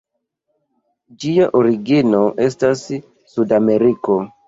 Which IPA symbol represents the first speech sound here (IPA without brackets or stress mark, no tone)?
d͡ʒ